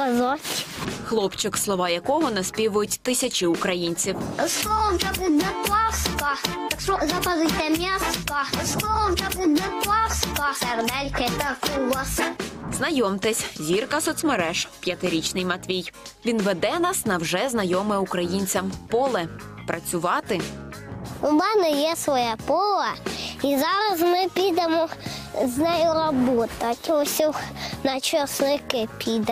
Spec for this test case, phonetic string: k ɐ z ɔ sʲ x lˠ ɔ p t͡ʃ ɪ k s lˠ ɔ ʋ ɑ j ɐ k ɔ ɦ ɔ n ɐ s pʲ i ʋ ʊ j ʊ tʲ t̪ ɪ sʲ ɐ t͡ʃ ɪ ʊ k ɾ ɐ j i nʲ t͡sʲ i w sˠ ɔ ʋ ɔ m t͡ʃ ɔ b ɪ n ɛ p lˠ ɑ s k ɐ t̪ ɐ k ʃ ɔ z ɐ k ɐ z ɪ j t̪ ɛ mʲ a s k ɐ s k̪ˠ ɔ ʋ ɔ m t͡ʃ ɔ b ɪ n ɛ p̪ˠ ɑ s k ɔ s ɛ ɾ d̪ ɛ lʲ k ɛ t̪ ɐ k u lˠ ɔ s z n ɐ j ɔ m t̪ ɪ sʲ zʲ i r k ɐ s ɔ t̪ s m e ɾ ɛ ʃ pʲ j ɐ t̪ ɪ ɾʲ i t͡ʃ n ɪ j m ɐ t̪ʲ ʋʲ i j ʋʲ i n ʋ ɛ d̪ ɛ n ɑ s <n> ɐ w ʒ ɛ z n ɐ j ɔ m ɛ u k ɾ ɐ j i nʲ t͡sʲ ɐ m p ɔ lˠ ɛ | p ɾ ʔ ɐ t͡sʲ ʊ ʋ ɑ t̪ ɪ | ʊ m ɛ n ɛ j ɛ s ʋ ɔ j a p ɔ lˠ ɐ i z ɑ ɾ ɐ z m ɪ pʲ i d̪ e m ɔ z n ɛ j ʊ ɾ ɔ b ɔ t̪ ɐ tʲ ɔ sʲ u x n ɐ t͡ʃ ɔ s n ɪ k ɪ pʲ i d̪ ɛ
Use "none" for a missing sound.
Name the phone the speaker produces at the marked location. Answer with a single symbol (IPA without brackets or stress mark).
n